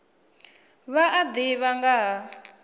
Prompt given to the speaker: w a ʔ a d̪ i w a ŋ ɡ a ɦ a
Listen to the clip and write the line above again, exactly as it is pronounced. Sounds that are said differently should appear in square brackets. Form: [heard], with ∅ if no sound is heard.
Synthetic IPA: [β] a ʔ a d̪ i [β] a ŋ ɡ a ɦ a